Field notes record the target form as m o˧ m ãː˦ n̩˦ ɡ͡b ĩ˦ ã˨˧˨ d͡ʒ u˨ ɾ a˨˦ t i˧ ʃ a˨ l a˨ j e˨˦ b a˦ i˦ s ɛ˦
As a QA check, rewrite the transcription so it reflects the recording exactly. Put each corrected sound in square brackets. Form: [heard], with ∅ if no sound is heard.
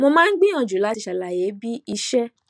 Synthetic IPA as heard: m o˧ m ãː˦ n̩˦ ɡ͡b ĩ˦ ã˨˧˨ d͡ʒ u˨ [l] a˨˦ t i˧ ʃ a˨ l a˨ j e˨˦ b [i˦] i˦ [ʃ] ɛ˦